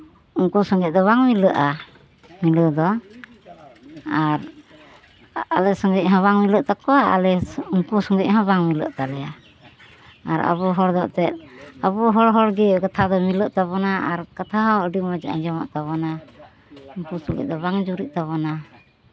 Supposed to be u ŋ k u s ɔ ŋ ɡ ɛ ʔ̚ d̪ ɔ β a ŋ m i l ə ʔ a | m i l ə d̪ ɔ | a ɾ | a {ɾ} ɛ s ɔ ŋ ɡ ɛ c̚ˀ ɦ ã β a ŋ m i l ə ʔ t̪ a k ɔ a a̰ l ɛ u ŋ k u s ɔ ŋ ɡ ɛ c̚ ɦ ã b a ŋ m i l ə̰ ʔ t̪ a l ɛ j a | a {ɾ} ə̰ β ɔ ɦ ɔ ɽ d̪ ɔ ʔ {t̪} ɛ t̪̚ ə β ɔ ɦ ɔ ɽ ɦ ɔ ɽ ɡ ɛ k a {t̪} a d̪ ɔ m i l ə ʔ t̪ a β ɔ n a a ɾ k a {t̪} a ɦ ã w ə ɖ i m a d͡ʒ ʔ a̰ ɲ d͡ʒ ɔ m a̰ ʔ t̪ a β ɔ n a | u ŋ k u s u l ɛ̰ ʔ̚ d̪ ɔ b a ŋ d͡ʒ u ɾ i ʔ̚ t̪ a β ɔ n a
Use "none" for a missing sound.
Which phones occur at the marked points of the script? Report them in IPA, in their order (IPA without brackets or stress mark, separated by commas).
l, ɾ, t̪, t̪ʰ, t̪ʰ